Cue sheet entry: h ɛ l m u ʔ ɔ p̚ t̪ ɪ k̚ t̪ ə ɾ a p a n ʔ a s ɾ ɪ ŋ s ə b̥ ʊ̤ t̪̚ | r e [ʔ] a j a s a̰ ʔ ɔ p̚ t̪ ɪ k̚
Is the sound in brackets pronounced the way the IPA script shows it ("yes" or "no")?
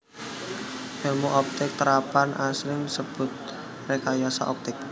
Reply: no